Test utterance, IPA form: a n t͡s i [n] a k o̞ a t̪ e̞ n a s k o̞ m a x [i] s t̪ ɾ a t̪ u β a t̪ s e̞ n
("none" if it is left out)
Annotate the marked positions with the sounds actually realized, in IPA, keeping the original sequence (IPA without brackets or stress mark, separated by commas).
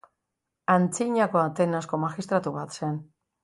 ɲ, i